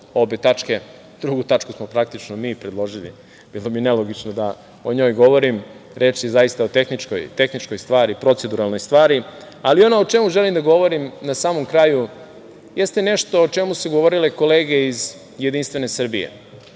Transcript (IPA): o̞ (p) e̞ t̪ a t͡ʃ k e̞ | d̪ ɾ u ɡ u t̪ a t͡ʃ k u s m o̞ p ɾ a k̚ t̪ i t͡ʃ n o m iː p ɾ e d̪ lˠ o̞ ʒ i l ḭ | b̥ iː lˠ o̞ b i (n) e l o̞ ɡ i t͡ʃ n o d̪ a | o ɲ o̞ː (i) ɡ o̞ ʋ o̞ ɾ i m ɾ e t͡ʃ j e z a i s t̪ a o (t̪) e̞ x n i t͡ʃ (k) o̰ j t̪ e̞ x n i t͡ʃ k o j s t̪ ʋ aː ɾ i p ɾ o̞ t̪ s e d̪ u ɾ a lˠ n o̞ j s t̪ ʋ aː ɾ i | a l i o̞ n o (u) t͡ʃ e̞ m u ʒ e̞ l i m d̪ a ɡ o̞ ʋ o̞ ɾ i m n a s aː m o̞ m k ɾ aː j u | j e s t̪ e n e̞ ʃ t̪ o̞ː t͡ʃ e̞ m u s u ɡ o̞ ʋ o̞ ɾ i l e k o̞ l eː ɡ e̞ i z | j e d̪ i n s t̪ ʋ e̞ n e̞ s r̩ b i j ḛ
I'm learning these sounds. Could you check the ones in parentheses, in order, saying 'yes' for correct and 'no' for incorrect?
no, yes, no, yes, yes, no

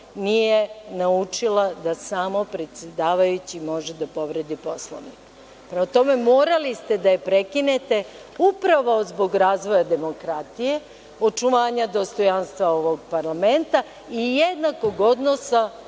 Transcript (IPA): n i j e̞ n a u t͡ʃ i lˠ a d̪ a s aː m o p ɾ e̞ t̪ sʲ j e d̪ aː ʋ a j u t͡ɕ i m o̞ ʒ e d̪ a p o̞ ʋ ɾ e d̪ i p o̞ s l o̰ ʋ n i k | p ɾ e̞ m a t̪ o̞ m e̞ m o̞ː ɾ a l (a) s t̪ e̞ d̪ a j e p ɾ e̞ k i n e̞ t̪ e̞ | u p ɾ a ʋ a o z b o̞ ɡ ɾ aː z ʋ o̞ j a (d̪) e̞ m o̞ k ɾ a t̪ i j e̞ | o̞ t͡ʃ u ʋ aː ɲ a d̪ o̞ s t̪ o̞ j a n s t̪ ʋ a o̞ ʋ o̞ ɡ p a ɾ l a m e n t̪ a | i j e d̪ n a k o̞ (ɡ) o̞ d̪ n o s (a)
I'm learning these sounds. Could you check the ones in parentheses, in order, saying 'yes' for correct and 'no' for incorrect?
no, yes, yes, yes

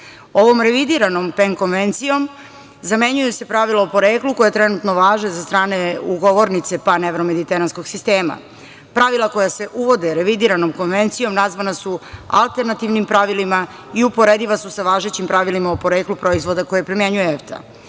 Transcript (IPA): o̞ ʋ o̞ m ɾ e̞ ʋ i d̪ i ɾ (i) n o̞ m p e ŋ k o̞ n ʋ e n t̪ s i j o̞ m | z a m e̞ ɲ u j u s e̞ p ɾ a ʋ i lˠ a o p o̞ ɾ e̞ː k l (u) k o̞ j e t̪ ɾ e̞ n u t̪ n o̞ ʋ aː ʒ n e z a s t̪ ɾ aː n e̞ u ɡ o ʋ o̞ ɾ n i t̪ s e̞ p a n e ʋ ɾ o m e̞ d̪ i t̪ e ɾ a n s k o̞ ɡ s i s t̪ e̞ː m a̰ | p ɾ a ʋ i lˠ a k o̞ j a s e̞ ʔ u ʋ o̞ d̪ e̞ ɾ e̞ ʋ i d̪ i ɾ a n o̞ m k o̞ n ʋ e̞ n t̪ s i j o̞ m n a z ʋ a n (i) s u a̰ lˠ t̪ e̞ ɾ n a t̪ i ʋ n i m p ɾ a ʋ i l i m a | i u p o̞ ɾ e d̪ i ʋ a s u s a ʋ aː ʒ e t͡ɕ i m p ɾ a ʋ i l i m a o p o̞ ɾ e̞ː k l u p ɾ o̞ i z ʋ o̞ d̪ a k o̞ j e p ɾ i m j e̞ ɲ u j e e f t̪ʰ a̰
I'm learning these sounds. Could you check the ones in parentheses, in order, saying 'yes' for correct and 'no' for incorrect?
no, yes, no

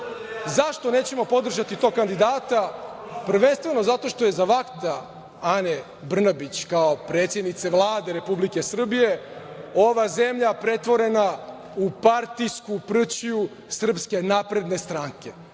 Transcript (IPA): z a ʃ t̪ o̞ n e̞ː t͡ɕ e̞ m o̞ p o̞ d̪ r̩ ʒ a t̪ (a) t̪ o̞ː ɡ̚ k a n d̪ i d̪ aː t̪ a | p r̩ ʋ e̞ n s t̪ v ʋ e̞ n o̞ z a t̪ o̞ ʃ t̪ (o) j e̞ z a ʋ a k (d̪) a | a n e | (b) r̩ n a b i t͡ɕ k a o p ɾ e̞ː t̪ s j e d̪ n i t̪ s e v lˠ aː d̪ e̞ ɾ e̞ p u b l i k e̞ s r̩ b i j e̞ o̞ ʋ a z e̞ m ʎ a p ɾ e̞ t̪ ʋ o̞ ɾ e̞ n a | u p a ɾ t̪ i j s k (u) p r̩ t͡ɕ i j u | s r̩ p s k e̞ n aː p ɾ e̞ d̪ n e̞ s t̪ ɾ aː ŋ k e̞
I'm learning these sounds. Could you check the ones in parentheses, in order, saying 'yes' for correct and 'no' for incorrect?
no, yes, no, yes, yes

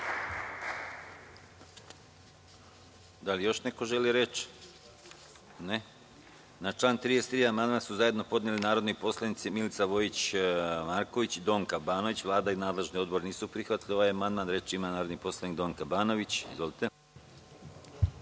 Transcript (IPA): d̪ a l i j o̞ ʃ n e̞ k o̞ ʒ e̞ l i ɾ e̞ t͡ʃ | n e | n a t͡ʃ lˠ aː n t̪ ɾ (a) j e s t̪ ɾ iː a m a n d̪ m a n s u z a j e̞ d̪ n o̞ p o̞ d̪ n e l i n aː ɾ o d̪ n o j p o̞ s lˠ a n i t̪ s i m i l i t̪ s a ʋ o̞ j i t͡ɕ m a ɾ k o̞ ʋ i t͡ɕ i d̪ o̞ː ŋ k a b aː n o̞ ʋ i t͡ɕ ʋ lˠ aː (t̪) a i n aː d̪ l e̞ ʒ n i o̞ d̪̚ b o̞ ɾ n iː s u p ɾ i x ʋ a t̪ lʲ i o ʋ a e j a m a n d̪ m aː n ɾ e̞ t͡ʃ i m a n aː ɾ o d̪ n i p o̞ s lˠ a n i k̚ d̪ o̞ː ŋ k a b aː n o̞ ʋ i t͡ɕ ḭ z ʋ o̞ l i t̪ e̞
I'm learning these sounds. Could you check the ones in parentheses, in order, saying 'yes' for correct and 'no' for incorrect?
no, no

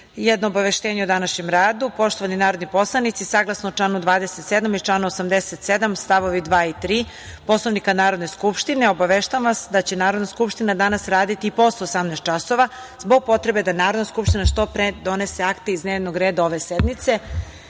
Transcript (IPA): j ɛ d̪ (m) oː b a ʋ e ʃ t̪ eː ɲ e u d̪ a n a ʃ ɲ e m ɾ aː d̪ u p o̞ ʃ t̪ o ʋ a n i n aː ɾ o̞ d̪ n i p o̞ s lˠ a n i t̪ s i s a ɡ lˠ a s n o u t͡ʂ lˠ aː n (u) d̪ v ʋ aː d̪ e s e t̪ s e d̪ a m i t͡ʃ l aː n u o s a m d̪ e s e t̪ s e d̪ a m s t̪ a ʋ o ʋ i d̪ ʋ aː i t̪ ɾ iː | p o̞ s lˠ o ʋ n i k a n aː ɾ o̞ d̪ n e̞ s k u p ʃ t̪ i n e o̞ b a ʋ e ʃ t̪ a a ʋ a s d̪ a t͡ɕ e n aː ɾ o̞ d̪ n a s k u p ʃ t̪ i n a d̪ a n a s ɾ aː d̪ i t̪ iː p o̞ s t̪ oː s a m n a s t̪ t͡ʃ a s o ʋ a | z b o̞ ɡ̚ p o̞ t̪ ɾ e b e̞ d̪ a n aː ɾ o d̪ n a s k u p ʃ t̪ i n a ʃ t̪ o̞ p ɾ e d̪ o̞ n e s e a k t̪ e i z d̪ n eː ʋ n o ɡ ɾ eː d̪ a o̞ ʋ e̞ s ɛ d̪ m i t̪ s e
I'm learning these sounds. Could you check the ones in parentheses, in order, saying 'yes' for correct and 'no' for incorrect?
no, yes

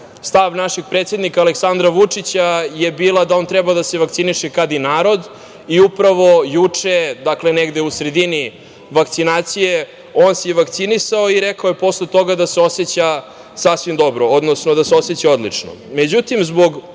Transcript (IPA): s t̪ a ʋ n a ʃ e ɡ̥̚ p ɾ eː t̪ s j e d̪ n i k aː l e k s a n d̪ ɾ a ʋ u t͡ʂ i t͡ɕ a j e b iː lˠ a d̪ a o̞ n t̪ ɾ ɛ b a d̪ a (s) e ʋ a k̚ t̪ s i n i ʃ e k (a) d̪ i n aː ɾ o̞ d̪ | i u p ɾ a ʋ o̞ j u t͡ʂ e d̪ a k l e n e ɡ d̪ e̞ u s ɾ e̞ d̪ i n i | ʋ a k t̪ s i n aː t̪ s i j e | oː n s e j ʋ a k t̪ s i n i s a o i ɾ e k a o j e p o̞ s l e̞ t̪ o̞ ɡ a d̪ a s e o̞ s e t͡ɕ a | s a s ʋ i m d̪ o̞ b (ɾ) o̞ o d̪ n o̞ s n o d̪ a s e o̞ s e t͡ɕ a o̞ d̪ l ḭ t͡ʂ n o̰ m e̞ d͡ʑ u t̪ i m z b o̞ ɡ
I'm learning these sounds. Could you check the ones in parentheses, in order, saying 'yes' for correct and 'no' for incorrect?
yes, yes, yes

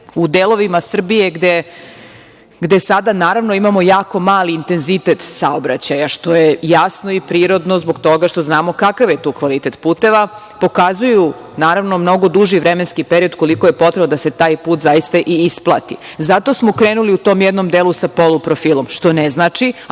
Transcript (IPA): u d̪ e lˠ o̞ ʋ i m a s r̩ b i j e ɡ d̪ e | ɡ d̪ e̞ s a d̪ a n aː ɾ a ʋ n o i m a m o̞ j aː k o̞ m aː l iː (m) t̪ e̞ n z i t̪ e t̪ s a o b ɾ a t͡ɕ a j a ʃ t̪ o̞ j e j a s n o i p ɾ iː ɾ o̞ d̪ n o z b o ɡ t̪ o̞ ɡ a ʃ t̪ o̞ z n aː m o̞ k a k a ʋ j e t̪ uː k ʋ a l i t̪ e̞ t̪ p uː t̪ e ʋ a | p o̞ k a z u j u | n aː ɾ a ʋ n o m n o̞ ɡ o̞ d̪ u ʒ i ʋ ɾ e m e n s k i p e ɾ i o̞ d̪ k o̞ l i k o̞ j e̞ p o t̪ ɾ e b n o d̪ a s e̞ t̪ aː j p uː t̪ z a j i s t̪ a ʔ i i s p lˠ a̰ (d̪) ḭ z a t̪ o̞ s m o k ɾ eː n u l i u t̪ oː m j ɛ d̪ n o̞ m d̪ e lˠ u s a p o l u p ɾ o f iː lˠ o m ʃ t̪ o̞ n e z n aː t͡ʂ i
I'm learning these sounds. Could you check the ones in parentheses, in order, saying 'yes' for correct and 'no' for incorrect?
no, no

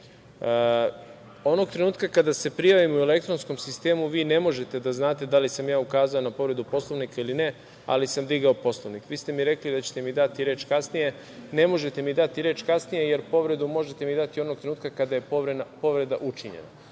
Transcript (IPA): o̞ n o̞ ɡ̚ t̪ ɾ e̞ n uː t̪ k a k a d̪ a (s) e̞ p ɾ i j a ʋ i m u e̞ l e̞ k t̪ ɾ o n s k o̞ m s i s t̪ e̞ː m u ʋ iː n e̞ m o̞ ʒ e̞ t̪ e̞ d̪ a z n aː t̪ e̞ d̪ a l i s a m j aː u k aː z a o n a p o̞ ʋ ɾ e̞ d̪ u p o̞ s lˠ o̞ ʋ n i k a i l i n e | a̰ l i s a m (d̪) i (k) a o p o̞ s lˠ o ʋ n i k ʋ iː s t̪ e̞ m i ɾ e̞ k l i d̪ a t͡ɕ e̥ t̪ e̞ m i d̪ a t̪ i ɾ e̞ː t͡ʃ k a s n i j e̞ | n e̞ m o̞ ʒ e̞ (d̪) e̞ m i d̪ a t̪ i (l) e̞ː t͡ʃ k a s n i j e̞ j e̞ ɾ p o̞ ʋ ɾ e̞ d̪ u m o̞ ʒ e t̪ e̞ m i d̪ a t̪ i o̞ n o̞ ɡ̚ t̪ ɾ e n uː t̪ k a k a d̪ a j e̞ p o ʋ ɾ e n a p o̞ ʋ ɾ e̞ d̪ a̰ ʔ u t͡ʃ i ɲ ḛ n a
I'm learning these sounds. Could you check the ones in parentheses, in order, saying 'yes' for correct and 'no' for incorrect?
yes, yes, no, no, no

